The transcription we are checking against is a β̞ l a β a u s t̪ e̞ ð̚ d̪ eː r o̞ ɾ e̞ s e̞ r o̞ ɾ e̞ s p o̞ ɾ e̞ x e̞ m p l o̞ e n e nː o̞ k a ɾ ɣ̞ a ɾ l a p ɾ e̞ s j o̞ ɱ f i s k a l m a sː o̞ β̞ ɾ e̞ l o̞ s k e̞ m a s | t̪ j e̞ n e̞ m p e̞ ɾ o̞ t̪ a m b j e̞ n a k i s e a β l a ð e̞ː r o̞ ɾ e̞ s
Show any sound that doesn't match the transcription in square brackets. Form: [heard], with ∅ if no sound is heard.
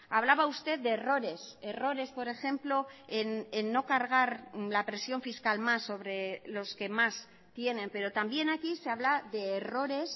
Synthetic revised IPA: a β̞ l a β a u s t̪ e̞ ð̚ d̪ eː r o̞ ɾ e̞ s e̞ r o̞ ɾ e̞ s p o̞ ɾ e̞ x e̞ m p l o̞ e n e nː o̞ k a ɾ ɣ̞ a ɾ l a p ɾ e̞ s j o̞ ɱ f i s k a l m a sː o̞ β̞ ɾ e̞ l o̞ s k e̞ m a s | t̪ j e̞ n e̞ m p e̞ ɾ o̞ t̪ a m b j e̞ n a k i s e a β l a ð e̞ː r o̞ ɾ e̞ s